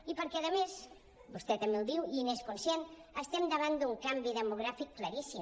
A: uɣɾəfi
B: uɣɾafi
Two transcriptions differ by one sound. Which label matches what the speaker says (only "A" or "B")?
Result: B